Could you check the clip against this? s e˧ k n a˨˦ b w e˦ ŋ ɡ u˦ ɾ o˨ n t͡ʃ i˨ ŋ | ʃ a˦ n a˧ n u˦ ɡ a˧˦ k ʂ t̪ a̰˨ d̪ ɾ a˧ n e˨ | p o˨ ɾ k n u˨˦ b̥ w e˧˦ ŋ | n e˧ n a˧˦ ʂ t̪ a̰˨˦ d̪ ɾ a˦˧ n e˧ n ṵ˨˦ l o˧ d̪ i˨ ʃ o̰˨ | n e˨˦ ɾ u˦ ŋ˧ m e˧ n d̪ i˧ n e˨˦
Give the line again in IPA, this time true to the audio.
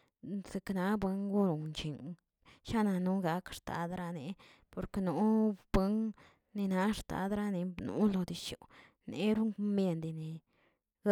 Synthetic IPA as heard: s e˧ k n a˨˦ b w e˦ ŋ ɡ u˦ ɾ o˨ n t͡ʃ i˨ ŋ | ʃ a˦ n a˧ n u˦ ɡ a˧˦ k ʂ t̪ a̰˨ d̪ ɾ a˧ n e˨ | p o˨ ɾ k n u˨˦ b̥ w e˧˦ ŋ | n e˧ n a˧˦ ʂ t̪ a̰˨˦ d̪ ɾ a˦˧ n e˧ n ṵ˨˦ l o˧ d̪ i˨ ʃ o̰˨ | n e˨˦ ɾ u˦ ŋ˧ m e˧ n d̪ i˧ n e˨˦